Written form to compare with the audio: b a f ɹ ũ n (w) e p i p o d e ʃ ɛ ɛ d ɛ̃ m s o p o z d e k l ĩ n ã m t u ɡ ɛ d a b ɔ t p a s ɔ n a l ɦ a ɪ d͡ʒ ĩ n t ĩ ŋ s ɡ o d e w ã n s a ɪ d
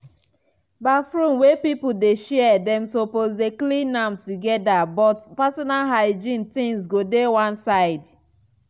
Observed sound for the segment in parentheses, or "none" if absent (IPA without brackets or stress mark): w